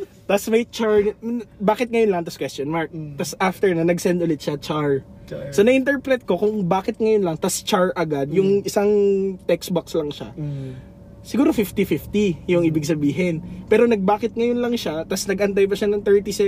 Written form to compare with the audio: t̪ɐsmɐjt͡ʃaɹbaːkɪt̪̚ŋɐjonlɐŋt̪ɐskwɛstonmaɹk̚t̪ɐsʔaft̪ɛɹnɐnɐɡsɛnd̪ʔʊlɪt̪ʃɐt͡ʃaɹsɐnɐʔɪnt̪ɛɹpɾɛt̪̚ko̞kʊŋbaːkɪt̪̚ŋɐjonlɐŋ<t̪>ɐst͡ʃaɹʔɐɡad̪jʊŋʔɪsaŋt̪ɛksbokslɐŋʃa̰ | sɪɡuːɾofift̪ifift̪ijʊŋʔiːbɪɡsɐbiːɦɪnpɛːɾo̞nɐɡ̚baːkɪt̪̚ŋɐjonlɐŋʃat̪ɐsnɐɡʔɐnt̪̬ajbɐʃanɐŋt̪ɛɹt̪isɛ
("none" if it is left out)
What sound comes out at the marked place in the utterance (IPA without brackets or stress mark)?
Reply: t̪